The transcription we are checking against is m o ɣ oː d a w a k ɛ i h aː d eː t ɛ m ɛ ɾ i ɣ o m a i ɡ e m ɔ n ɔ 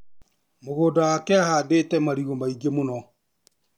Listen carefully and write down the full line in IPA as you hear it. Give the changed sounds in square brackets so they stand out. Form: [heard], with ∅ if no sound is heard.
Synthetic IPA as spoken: m o ɣ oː d a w a k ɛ [a] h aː d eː t ɛ m [a] ɾ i ɣ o m a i ɡ e m [o] n ɔ